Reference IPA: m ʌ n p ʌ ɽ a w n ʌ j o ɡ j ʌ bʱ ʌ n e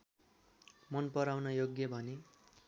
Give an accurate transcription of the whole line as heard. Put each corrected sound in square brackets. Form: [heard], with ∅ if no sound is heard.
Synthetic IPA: m ʌ n p ʌ [ɾ] a w n ʌ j o ɡ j ʌ bʱ ʌ n e